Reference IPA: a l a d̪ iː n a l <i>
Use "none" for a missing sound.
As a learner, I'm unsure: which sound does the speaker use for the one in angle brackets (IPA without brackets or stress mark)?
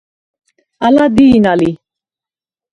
i